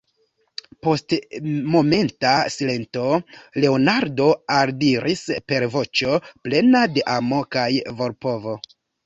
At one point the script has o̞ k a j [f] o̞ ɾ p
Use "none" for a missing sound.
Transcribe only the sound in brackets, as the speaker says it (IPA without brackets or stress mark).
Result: v